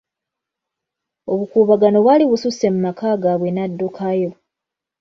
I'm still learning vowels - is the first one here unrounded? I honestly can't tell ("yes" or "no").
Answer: no